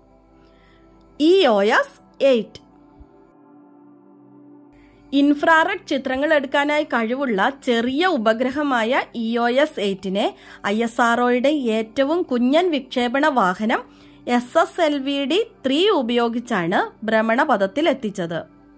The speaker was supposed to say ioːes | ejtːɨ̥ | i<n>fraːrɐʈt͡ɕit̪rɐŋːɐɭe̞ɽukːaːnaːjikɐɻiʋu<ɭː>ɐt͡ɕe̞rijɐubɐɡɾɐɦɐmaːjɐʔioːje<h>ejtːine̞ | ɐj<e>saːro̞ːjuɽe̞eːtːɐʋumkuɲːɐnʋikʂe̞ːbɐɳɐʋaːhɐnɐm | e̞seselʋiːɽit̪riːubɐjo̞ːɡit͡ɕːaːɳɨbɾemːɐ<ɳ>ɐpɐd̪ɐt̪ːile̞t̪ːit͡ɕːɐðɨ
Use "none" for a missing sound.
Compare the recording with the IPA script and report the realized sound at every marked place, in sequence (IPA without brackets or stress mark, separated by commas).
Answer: n, ɭː, s, e, ɳ